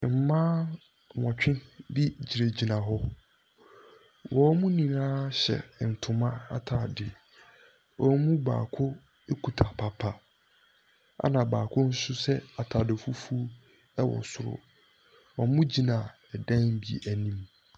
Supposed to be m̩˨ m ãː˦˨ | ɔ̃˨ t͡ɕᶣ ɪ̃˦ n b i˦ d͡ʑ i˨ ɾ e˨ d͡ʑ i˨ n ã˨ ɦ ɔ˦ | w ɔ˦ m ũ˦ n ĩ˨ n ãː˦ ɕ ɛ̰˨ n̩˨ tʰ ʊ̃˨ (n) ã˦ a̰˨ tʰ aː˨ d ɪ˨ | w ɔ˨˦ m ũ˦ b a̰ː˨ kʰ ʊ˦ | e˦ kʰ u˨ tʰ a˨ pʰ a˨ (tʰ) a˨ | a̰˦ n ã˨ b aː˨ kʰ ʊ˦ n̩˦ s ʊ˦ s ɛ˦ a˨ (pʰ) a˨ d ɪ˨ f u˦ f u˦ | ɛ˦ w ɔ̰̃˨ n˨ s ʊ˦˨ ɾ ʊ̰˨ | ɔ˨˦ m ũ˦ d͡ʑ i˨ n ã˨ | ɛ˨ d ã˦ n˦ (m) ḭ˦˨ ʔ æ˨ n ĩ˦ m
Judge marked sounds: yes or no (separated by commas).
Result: no, no, no, no